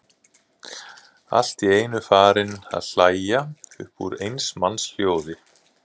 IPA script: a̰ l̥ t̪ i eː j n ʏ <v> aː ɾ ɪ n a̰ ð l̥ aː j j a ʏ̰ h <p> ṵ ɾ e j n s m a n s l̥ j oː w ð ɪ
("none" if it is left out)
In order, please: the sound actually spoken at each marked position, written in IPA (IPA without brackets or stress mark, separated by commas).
f, p